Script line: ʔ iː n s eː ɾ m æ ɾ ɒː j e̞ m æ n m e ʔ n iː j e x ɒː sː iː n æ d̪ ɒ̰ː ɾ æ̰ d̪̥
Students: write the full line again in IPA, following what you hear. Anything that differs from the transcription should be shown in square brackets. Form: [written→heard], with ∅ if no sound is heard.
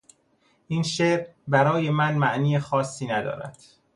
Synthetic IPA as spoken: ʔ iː n [s→ʃ] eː ɾ [m→b] æ ɾ ɒː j e̞ m æ n m [e→æ] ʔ n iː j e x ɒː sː iː n æ d̪ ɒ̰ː ɾ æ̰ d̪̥